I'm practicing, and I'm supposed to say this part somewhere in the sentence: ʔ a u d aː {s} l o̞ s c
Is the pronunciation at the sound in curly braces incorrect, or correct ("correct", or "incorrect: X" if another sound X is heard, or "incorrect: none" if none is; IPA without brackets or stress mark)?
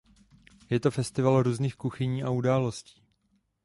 incorrect: none